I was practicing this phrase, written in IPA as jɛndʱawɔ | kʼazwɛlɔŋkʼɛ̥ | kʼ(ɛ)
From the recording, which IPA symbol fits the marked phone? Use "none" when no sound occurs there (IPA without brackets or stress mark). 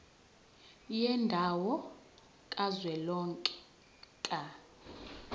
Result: a